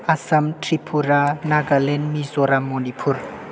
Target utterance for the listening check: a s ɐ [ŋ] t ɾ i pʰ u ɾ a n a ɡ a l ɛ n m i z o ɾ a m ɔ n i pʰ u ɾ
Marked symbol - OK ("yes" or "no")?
no